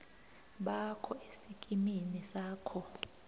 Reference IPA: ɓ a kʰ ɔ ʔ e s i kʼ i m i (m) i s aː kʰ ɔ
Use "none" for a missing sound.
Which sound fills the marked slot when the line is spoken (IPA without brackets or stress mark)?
n